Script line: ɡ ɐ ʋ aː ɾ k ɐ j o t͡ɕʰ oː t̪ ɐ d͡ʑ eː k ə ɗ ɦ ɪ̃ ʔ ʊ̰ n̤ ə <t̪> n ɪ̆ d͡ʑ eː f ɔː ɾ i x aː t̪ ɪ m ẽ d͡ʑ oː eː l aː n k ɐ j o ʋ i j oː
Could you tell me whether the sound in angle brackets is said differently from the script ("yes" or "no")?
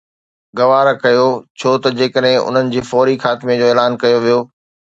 yes